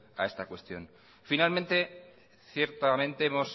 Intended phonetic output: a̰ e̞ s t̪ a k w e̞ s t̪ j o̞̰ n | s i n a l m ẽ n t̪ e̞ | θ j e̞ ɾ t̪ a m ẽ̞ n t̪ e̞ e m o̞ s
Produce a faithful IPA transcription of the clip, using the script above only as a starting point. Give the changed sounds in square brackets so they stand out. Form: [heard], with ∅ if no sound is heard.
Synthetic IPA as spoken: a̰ e̞ s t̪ a k w e̞ s t̪ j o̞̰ n | [f] i n a l m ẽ n t̪ e̞ | θ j e̞ ɾ t̪ a m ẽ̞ n t̪ e̞ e m o̞ s